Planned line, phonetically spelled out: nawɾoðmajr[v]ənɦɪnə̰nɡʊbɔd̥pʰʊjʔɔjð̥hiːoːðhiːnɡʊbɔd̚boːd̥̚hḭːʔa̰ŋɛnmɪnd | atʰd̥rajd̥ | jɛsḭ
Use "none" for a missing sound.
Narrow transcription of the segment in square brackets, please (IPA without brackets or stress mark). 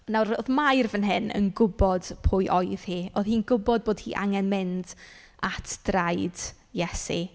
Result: v